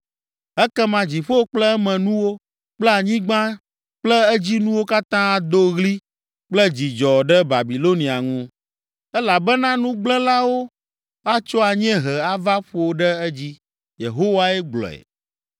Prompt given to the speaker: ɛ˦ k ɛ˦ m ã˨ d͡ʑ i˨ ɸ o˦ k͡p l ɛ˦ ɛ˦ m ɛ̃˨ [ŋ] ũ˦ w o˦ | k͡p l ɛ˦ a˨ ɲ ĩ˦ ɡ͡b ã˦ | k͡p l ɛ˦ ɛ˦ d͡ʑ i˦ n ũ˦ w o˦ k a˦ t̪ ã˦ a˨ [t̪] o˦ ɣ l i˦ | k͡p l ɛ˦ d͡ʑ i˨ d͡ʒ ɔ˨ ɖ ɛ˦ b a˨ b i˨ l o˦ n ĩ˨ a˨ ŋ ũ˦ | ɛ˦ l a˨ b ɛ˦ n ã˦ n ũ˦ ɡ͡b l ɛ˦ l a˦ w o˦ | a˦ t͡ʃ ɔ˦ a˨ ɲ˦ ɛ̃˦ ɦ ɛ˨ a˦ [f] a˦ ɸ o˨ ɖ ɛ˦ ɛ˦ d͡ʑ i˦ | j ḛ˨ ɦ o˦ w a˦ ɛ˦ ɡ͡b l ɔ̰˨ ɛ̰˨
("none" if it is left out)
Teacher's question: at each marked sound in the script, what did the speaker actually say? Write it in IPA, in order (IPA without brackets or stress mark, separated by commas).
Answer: n, d̪, v